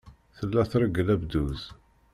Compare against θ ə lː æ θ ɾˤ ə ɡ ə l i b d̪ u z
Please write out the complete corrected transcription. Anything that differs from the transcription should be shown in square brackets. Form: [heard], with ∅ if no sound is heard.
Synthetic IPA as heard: θ ə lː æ θ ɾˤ ə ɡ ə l [æ] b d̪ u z